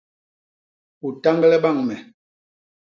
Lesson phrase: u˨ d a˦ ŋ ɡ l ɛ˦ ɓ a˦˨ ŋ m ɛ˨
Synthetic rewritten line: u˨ t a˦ ŋ ɡ l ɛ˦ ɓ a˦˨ ŋ m ɛ˨